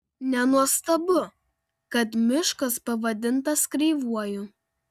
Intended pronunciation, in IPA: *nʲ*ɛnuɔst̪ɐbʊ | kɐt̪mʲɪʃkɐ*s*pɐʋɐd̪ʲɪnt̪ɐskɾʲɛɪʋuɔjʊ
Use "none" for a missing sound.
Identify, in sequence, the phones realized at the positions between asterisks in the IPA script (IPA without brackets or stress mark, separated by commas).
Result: nʲ, s